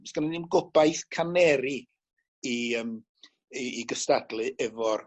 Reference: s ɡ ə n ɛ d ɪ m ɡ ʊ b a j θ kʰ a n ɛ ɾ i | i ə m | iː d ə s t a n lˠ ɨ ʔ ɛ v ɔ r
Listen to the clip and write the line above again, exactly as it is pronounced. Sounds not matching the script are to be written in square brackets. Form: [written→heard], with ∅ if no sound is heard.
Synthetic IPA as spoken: s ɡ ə n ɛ [d→n] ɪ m ɡ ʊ b a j θ kʰ a n ɛ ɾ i | i ə m | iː [d→ɡ] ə s t a [n→d] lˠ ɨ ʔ ɛ v ɔ r